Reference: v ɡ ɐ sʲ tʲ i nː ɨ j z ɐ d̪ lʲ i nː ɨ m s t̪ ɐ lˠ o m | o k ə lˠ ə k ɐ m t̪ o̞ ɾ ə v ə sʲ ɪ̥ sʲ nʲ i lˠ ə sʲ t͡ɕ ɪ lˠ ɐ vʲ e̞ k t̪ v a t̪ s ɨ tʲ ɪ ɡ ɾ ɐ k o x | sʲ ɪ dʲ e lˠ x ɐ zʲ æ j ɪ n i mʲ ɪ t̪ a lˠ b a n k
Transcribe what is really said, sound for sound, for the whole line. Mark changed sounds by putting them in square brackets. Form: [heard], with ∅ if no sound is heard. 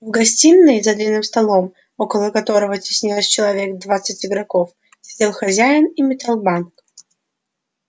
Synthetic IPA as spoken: v ɡ ɐ sʲ tʲ i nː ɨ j z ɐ d̪ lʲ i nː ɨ m s t̪ ɐ lˠ o m | o k ə lˠ ə k ɐ [∅] t̪ o̞ ɾ ə v ə [tʲ] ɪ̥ sʲ nʲ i lˠ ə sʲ t͡ɕ ɪ lˠ ɐ vʲ e̞ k [d̪] v a t̪ s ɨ tʲ ɪ ɡ ɾ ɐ k o [f] | sʲ ɪ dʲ e lˠ x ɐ zʲ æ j ɪ n i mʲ ɪ t̪ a lˠ b a n k